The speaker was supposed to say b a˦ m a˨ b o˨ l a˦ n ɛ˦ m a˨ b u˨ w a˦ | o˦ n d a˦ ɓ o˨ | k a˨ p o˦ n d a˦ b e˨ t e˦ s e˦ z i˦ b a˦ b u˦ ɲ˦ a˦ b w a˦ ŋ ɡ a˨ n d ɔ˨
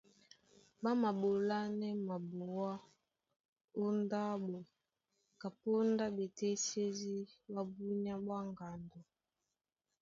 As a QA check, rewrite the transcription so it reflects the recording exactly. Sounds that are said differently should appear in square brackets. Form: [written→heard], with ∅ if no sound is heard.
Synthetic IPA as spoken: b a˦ m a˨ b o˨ l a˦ n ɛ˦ m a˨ b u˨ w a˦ | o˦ n d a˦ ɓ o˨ | k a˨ p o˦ n d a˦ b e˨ t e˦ s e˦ z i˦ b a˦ b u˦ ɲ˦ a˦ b w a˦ ŋ ɡ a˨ n d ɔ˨